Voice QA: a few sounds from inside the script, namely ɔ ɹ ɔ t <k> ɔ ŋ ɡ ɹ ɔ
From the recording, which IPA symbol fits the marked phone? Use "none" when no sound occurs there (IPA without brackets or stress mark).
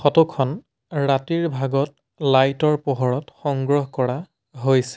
x